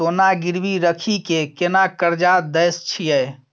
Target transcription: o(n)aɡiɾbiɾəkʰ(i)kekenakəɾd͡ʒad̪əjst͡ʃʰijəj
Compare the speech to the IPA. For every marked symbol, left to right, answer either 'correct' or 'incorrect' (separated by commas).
correct, correct